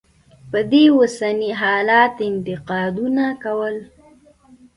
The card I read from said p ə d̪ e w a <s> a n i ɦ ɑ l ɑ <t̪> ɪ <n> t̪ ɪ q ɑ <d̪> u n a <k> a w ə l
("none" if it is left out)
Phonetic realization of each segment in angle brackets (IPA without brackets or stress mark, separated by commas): s, t̪, n, d̪, k